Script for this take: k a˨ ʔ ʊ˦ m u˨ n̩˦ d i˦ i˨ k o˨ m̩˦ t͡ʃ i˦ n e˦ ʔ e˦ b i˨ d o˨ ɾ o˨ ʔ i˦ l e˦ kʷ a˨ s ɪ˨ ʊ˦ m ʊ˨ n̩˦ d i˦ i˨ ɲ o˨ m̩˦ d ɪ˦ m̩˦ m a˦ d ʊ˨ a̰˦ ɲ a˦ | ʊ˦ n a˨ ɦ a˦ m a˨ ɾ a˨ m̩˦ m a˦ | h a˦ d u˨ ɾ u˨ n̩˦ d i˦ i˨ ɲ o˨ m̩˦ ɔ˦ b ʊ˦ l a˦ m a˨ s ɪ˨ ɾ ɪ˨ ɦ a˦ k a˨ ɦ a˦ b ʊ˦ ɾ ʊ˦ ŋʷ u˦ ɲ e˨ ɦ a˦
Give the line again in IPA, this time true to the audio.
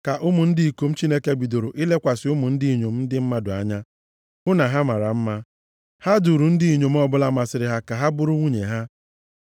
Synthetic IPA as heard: k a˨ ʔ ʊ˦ m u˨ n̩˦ d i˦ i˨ k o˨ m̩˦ t͡ʃ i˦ n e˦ k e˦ b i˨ d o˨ ɾ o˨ ʔ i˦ l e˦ kʷ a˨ s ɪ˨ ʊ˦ m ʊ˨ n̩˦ d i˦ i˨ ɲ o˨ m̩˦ d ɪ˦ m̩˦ m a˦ d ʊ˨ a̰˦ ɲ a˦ | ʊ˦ n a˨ ɦ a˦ m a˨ ɾ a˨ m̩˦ m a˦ | h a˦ d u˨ ɾ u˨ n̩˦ d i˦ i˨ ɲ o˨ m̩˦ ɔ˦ b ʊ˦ l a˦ m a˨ s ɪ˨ ɾ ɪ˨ ɦ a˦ k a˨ ɦ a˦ b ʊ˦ ɾ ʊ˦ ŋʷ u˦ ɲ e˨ ɦ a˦